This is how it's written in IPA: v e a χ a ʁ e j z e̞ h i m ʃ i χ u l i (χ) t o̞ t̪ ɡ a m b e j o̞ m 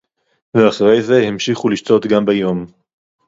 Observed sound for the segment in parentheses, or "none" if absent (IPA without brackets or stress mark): ʃ